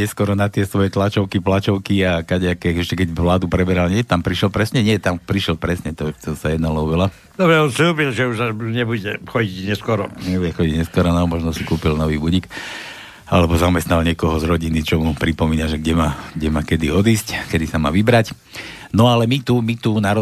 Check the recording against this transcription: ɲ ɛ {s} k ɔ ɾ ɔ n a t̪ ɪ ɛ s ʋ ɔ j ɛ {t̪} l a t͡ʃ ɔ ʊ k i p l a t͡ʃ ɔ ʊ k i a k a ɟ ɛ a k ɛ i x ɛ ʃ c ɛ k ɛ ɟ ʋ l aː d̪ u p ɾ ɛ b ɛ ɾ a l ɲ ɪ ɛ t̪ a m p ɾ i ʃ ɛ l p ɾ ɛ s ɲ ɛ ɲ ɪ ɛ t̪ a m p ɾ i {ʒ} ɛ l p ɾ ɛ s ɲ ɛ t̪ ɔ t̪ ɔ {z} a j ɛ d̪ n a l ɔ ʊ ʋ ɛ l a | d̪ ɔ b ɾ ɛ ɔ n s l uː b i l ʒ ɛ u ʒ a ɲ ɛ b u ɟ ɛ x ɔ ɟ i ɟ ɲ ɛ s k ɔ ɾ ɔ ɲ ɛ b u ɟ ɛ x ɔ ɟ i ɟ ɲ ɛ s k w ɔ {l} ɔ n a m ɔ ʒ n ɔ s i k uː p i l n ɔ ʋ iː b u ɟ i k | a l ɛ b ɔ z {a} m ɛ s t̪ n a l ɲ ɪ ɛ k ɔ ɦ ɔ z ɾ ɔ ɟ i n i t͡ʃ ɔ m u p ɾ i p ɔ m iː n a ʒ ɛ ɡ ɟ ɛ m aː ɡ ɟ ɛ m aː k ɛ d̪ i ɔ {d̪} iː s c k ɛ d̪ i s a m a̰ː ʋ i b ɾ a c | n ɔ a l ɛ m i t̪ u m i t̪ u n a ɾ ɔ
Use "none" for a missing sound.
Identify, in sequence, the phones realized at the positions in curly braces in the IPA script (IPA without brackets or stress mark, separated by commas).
s, t̪, ʃ, s, ɾ, a, d̪